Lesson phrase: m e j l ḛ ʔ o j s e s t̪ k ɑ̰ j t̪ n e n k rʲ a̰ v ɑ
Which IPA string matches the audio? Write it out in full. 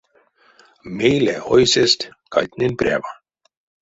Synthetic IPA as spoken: m e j l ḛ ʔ o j s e s t̪ k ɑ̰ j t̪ n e n p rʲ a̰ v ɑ